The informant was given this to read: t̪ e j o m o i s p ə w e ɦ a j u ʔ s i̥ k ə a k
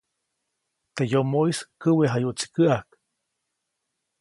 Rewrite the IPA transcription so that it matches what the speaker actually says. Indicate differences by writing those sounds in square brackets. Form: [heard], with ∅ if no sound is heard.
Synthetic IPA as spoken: t̪ e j o m o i s [k] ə w e ɦ a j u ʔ [t͡s] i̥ k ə a k

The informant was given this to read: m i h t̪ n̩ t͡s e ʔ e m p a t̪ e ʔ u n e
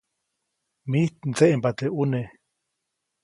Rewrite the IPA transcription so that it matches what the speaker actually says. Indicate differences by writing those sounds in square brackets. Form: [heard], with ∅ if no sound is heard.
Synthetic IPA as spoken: m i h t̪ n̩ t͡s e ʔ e m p a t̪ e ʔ u n e

